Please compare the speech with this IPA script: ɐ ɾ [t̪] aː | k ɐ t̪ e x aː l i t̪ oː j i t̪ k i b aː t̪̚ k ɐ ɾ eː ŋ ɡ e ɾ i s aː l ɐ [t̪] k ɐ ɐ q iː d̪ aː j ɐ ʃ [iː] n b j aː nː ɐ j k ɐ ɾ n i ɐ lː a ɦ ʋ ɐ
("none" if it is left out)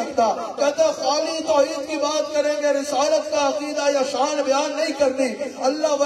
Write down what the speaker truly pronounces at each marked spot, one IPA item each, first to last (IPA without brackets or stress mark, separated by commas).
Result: t̪, t̪, aː